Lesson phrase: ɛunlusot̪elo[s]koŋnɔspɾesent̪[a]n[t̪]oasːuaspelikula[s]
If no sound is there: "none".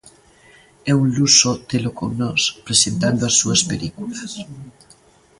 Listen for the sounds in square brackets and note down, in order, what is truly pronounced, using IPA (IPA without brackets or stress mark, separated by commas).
none, a, d̪, s